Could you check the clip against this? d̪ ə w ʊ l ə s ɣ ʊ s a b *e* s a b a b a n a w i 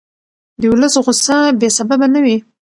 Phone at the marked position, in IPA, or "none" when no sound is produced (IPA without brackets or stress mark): e